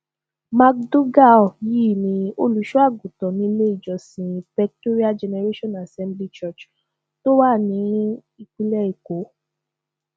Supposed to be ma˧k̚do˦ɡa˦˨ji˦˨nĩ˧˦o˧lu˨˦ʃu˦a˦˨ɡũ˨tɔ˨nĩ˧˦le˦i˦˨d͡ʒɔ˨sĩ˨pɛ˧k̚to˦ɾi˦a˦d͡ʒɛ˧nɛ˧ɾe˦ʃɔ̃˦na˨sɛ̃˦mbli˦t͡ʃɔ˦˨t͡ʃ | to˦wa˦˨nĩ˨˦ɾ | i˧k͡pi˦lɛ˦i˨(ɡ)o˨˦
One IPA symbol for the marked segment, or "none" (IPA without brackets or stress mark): k